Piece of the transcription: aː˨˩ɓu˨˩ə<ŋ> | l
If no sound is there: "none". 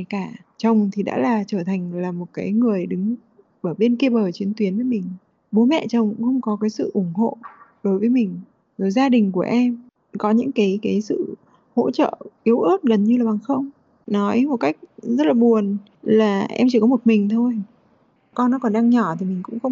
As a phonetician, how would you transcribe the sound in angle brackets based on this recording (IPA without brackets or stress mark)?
n